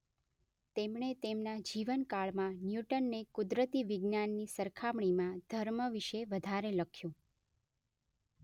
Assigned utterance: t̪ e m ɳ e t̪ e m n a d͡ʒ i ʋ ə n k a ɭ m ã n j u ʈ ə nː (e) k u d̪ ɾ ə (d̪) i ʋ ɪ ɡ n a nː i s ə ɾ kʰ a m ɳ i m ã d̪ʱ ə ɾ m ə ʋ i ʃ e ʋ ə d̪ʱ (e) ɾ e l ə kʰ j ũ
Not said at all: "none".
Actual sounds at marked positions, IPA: e, t̪, a

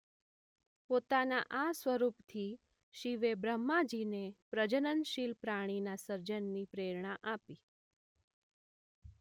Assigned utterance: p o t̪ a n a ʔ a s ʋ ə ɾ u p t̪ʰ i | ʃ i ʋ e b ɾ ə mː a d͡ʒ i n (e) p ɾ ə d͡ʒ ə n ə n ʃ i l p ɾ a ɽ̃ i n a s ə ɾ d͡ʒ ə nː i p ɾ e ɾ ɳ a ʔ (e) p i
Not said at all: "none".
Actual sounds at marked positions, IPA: e, a

